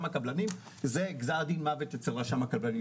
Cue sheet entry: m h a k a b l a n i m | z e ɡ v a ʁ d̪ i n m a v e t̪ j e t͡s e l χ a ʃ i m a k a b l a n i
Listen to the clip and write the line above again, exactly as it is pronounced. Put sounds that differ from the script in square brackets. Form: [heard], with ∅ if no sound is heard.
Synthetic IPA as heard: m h a k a b l a n i m | z e ɡ [z] a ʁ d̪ i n m a v e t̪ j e t͡s e l [ʁ] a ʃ [a] m a k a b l a n i